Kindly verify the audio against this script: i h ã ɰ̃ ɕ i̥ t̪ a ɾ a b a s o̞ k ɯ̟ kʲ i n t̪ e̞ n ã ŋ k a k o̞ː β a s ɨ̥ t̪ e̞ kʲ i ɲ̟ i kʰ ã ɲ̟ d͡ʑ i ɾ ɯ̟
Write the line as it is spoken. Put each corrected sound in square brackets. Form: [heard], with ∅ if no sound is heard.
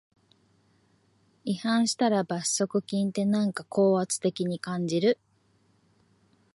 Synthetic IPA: i h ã ɰ̃ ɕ i̥ t̪ a ɾ a b a s o̞ k ɯ̟ kʲ [ĩ] n t̪ e̞ n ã ŋ k a k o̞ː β a [t͡s] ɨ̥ t̪ e̞ kʲ i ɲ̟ i [k] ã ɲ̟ d͡ʑ i ɾ ɯ̟